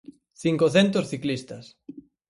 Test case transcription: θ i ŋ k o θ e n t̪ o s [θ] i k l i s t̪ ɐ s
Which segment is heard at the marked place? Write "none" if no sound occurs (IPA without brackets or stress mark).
θ